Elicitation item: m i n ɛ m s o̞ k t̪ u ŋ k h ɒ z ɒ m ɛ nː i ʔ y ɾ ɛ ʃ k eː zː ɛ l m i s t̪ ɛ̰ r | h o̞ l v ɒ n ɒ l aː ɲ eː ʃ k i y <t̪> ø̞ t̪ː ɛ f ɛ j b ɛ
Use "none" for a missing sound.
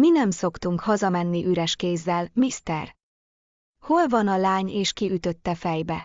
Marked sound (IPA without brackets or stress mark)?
t̪